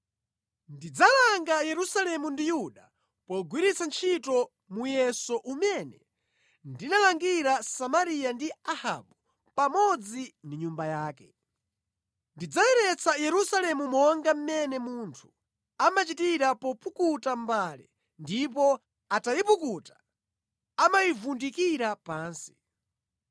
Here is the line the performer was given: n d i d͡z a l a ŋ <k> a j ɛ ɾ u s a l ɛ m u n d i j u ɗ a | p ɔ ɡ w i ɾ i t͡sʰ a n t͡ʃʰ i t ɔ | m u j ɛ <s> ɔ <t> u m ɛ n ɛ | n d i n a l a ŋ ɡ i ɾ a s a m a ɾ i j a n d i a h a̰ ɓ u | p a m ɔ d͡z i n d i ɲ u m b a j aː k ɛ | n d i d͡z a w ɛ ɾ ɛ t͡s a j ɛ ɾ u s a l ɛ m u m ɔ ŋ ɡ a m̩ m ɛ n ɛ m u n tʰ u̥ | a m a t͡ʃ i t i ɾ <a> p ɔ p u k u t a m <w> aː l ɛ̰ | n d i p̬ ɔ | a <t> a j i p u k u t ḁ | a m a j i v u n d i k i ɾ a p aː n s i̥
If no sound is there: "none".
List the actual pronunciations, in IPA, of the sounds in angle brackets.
ɡ, s, ʔ, a, b, t

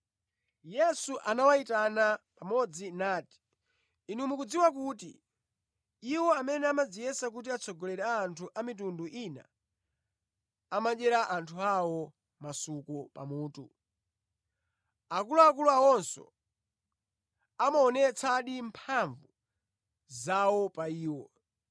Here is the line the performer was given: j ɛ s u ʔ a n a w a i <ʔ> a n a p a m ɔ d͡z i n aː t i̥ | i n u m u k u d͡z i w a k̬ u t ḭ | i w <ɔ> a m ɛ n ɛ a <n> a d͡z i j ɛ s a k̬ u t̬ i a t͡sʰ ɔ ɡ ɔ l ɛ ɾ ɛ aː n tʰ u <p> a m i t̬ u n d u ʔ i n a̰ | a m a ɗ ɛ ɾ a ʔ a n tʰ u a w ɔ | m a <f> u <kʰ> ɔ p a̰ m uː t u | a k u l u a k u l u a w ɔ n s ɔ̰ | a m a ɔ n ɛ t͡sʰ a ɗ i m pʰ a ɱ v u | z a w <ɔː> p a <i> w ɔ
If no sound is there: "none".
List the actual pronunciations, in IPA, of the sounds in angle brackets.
t, ɔ, m, ʔ, s, k, ɔ, iː

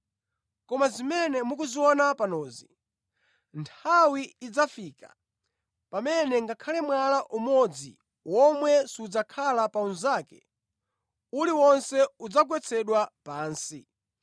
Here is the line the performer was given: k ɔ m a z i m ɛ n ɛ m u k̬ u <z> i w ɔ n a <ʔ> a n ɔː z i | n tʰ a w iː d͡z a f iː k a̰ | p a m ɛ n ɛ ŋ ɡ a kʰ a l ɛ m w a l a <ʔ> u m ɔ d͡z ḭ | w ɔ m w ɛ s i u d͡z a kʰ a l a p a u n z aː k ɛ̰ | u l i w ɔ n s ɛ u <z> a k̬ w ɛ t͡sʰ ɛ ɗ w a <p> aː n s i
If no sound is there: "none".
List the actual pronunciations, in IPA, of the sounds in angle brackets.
z, p, ʔ, d͡z, p

